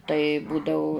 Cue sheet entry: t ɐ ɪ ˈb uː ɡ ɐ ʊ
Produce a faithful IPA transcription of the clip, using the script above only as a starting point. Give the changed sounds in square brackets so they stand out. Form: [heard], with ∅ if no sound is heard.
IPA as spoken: t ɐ ɪ ˈb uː [d] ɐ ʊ